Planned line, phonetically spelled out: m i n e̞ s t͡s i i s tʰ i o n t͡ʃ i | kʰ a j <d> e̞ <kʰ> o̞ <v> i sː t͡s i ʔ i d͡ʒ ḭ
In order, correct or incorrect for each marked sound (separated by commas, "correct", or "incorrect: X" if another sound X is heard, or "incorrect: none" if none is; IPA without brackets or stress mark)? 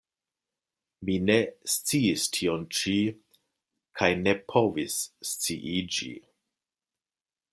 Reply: incorrect: n, incorrect: pʰ, correct